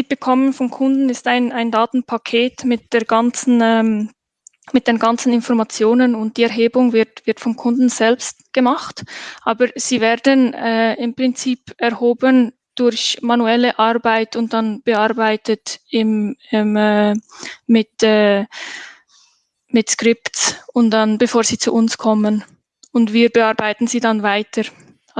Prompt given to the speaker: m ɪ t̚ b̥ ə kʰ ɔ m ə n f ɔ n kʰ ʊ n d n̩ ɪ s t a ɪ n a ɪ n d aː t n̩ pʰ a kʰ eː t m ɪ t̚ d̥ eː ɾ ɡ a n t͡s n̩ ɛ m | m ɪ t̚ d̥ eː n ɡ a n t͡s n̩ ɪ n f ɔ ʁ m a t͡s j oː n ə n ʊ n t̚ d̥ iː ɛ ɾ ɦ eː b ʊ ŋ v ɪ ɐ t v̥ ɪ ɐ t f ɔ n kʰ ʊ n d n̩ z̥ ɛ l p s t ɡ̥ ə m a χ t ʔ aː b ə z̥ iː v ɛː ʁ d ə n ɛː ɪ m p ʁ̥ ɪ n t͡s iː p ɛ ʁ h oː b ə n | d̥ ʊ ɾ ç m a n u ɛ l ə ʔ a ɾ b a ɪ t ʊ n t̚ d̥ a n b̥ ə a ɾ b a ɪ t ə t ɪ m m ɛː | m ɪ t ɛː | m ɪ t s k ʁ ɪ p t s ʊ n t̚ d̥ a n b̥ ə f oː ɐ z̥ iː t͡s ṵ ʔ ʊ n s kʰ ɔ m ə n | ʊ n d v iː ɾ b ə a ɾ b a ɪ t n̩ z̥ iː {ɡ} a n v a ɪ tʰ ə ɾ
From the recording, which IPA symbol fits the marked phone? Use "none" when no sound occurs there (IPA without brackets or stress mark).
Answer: d